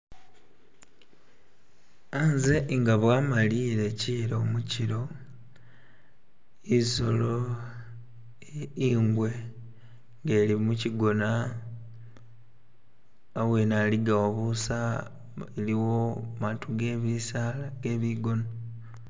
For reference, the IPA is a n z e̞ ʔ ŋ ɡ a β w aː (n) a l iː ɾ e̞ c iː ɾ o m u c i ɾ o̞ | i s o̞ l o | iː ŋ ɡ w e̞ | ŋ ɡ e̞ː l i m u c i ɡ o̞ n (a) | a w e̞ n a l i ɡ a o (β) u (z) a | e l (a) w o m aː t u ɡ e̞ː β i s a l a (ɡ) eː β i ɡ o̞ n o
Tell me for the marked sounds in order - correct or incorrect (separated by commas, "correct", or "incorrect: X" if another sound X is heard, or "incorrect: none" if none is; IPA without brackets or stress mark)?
incorrect: m, correct, correct, incorrect: s, incorrect: i, correct